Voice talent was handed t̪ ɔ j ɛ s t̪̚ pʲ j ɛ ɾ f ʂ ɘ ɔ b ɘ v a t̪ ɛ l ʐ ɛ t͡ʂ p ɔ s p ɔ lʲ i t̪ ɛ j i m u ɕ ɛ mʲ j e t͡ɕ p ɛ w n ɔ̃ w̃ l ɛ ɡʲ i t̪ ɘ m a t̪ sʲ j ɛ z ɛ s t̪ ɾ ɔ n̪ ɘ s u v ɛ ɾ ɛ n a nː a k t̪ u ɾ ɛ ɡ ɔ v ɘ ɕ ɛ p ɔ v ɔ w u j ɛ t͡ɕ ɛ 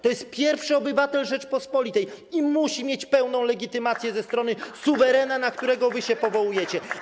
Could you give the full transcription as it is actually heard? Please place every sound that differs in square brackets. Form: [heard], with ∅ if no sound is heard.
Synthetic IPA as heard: t̪ ɔ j ɛ s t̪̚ pʲ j ɛ ɾ f ʂ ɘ ɔ b ɘ v a t̪ ɛ l ʐ ɛ t͡ʂ p ɔ s p ɔ lʲ i t̪ ɛ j i m u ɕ [i] mʲ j e t͡ɕ p ɛ w n ɔ̃ w̃ l ɛ ɡʲ i t̪ ɘ m a t̪ sʲ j ɛ z ɛ s t̪ ɾ ɔ n̪ ɘ s u v ɛ ɾ ɛ n a [n] a k t̪ u ɾ ɛ ɡ ɔ v ɘ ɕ ɛ p ɔ v ɔ w u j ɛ t͡ɕ ɛ